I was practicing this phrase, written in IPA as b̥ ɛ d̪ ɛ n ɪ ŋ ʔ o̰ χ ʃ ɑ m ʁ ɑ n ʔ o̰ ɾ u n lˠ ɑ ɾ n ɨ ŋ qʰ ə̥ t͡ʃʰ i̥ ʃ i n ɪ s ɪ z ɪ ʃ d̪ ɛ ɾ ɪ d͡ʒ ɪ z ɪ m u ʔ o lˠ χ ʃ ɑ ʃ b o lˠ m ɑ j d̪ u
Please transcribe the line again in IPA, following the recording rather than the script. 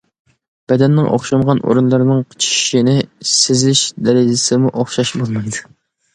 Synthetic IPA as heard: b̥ ɛ d̪ ɛ nː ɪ ŋ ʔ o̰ χ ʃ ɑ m ʁ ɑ n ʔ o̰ ɾ u n lˠ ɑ ɾ n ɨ ŋ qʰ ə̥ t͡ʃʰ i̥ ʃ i n ɪ s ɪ z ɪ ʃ d̪ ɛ ɾ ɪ d͡ʒ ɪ s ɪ m u ʔ o χ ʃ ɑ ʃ b o lˠ m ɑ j d̪ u